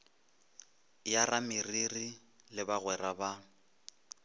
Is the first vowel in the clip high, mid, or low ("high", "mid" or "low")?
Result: low